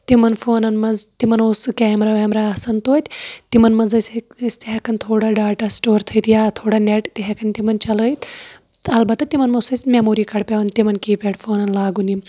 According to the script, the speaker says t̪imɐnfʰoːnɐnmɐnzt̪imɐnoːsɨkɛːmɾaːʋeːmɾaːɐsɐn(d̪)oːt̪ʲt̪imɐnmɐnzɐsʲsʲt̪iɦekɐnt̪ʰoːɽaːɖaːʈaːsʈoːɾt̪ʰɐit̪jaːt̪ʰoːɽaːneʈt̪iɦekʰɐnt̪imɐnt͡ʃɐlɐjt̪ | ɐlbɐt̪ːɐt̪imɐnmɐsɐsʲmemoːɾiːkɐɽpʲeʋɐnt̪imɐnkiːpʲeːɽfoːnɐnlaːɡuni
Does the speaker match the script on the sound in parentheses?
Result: no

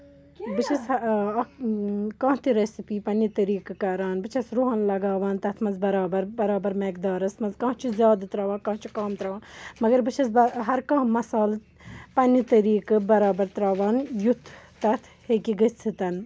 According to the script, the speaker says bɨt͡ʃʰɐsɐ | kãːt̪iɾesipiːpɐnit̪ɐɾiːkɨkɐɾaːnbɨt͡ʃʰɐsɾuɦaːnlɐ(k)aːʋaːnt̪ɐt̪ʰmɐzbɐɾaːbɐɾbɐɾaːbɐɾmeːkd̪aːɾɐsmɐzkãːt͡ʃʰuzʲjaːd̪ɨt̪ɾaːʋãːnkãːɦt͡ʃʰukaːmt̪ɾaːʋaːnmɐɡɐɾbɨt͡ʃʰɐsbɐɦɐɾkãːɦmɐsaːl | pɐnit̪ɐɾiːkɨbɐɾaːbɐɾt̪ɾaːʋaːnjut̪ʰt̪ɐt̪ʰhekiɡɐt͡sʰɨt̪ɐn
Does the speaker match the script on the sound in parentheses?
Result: no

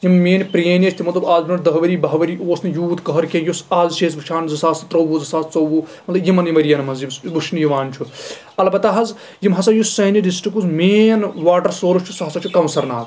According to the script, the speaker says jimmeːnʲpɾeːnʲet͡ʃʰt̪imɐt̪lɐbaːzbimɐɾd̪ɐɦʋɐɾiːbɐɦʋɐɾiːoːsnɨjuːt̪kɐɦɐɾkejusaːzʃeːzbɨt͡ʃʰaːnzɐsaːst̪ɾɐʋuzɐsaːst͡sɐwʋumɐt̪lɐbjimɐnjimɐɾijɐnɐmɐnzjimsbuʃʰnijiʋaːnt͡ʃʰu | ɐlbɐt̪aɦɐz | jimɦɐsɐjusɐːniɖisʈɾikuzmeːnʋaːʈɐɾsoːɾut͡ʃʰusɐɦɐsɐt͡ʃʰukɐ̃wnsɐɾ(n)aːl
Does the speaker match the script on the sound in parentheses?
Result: yes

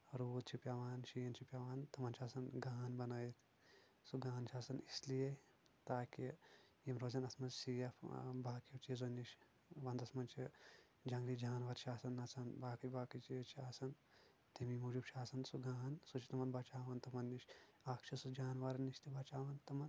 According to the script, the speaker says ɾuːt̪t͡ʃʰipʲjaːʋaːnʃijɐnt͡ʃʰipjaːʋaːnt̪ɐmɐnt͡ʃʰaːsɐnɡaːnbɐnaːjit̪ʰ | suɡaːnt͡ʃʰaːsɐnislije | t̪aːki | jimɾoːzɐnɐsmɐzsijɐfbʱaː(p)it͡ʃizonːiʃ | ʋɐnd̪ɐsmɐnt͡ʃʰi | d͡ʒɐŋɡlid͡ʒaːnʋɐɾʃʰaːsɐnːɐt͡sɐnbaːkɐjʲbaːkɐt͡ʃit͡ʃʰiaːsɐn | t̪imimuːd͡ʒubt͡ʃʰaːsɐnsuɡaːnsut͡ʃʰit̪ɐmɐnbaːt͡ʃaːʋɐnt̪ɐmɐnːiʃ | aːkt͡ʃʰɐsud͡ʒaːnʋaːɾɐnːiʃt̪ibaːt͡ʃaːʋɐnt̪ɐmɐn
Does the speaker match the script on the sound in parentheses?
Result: no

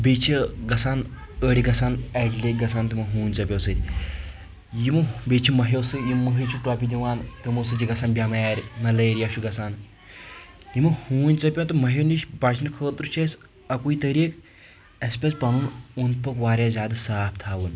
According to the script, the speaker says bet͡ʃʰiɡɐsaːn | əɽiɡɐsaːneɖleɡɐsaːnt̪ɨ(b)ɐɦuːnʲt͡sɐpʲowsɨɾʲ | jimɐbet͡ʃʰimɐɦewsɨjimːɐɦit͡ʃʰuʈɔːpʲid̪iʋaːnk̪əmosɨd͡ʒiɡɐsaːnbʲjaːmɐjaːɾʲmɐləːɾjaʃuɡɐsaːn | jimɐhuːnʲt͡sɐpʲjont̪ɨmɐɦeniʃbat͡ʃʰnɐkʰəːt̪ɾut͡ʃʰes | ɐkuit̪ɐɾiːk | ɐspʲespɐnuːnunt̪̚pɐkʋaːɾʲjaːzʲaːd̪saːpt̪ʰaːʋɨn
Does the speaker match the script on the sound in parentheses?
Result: no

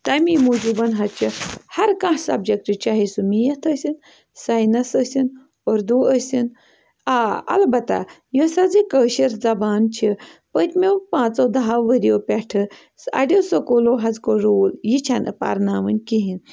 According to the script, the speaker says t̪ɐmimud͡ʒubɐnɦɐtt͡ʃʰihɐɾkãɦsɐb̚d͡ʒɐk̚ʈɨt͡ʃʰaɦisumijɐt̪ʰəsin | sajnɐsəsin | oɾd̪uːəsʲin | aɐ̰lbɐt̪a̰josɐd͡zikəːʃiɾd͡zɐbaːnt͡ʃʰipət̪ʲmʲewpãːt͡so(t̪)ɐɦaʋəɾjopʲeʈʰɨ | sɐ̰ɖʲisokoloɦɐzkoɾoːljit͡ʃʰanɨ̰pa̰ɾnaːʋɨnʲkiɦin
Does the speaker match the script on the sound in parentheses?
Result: no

